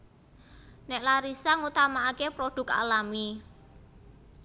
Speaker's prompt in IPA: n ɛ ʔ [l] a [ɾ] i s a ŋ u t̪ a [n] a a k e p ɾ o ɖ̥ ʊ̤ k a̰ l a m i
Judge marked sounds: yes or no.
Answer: yes, yes, no

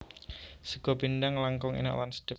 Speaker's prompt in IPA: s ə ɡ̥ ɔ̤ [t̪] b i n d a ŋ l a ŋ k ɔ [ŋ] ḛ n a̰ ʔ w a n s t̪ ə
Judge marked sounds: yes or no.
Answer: no, yes

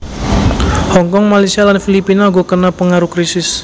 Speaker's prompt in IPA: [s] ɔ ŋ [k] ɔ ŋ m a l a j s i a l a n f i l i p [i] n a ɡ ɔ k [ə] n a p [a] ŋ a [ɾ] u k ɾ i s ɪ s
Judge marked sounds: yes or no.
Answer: no, yes, yes, yes, no, yes

